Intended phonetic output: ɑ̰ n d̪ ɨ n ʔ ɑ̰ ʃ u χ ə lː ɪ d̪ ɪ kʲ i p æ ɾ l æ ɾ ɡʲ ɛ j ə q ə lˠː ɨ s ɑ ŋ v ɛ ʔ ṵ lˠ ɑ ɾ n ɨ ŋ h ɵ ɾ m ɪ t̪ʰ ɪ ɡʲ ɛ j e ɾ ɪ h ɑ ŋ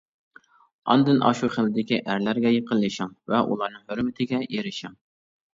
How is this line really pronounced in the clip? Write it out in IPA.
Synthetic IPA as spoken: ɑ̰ n d̪ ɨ n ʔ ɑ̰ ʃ u χ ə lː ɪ d̪ ɪ kʲ i ʔ æ ɾ l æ ɾ ɡʲ ɛ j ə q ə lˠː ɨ ʃ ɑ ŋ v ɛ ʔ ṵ lˠ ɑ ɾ n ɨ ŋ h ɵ ɾ m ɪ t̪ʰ ɪ ɡʲ ɛ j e ɾ ɪ ʃ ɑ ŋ